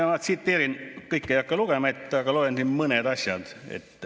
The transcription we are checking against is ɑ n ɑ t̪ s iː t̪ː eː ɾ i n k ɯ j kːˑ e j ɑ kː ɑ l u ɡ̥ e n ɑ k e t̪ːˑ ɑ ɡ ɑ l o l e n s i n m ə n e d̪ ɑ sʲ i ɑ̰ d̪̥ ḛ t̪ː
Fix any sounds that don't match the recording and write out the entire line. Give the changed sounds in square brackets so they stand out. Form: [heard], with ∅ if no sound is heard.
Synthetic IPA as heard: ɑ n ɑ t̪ s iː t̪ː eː ɾ i n k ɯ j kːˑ e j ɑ kː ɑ l u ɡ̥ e [m] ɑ [∅] e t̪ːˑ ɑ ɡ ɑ l o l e n s i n m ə n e d̪ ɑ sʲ [j] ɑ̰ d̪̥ ḛ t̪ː